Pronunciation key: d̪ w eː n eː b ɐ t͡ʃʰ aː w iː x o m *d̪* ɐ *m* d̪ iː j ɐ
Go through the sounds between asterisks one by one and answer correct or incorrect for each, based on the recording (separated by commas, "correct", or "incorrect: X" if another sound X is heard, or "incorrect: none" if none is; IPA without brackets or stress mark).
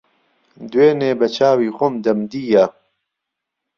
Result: correct, correct